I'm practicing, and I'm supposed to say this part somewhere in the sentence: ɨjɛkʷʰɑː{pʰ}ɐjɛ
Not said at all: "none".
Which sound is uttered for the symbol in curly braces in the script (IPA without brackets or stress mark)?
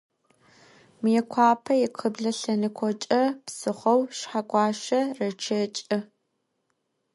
pʰ